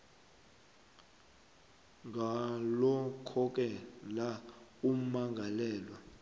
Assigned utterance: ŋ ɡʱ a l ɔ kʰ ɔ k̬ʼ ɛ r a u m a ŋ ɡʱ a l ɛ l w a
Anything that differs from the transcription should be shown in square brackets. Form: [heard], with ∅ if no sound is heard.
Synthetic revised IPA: ŋ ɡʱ a l ɔ kʰ ɔ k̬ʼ ɛ [l] a u m a ŋ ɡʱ a l [ɛː] l w a